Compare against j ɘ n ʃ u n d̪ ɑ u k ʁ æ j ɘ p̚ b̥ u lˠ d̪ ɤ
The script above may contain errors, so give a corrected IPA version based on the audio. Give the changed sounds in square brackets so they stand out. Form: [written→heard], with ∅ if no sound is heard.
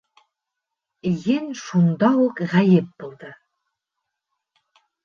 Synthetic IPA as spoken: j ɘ n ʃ u n d̪ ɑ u k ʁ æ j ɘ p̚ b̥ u lˠ d̪ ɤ